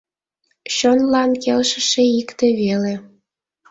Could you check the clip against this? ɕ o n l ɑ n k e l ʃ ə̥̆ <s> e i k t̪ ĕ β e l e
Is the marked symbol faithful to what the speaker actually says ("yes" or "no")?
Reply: no